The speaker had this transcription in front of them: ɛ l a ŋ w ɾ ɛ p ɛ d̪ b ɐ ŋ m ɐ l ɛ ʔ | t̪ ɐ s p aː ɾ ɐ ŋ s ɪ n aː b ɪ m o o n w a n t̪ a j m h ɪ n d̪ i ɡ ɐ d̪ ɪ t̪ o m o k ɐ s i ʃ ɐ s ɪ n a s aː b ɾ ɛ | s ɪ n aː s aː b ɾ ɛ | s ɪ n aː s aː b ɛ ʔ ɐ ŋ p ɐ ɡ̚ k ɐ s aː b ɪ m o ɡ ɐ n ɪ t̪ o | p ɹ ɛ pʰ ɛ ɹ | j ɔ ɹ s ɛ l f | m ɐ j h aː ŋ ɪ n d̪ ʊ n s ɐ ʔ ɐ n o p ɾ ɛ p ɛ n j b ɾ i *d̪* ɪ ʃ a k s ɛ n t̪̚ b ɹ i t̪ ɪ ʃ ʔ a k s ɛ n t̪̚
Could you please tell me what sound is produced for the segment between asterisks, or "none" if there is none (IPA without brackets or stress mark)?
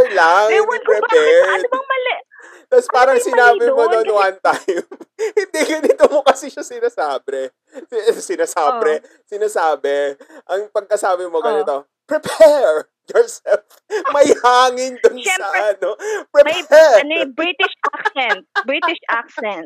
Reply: t̪